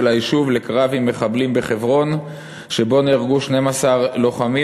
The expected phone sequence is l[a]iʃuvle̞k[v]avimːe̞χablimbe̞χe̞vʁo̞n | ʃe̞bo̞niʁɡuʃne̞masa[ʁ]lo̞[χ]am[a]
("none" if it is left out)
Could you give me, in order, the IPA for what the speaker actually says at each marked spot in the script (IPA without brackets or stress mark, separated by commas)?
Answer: a, ʁ, ʁ, χ, i